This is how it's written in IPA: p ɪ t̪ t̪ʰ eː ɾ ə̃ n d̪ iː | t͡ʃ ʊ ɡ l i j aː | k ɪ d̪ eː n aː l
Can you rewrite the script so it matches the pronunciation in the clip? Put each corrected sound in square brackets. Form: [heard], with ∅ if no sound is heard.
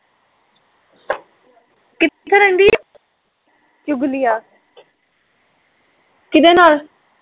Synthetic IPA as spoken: [k] ɪ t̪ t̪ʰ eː ɾ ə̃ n d̪ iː | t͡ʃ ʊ ɡ l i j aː | k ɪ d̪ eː n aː l